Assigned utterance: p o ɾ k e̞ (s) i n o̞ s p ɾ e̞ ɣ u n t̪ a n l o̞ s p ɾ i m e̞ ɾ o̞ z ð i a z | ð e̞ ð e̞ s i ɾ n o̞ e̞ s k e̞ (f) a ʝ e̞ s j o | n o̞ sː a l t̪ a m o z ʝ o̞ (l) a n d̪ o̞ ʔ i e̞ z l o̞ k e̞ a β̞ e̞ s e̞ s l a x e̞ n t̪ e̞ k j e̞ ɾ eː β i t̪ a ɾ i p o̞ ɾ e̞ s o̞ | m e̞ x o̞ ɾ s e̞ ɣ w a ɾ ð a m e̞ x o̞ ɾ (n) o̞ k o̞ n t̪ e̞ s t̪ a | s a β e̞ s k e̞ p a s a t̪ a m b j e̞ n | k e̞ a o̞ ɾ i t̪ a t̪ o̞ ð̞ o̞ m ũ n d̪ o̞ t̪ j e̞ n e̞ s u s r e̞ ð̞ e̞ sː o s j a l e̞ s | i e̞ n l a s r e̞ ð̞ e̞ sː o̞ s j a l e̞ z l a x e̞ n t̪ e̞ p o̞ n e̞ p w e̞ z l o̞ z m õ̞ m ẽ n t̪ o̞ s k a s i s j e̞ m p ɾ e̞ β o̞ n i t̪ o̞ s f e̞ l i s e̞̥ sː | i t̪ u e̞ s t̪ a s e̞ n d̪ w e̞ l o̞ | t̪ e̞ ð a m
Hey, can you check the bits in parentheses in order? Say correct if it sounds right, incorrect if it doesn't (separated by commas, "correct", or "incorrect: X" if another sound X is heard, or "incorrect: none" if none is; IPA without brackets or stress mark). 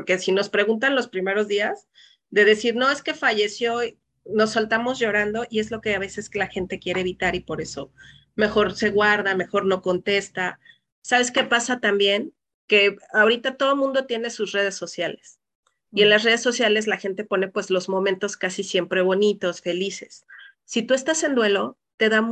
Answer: correct, correct, incorrect: ɾ, correct